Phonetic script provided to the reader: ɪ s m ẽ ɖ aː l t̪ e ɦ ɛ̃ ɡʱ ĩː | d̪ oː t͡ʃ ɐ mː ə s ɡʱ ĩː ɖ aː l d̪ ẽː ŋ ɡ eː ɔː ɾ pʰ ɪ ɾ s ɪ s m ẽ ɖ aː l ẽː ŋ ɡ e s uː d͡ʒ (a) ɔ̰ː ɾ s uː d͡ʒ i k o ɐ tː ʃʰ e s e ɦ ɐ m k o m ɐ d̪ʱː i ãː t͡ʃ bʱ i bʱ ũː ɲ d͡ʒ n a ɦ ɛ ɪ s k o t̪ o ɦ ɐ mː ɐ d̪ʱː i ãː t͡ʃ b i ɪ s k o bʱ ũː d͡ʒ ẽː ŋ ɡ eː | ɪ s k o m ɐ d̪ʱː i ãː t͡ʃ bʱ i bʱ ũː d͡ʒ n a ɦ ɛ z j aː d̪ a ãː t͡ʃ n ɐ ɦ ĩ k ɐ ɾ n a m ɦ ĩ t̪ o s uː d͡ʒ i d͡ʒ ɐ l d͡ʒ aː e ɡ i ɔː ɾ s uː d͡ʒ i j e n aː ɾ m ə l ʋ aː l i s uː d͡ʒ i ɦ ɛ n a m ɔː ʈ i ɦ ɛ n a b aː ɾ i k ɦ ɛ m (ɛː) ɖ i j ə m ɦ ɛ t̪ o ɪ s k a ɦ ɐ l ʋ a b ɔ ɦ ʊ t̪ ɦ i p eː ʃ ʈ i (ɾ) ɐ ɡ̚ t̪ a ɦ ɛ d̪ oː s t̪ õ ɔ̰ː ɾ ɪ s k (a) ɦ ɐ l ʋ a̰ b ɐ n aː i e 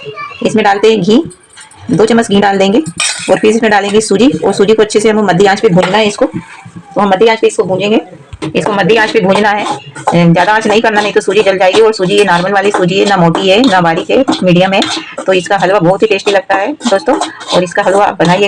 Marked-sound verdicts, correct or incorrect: incorrect: i, incorrect: iː, incorrect: l, correct

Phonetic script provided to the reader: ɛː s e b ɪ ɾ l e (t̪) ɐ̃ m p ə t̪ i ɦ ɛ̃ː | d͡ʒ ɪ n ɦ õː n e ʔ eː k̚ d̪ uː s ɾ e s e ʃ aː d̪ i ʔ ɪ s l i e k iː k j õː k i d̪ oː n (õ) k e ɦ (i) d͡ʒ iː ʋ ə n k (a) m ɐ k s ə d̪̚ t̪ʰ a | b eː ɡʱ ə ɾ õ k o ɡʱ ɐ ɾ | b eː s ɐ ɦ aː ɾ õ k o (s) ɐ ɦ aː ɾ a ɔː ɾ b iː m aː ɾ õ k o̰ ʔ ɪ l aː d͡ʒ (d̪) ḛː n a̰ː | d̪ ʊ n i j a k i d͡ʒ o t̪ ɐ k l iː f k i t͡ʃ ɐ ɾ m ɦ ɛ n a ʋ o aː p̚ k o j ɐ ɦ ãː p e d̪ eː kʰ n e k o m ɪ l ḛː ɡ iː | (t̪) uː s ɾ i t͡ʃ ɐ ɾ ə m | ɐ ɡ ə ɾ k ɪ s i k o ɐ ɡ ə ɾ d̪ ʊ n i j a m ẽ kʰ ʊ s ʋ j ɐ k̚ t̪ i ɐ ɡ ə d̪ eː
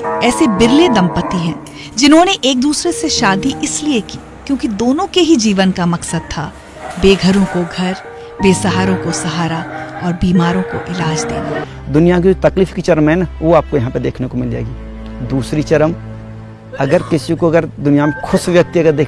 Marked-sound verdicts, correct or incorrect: incorrect: d̪, correct, correct, correct, correct, correct, incorrect: d̪

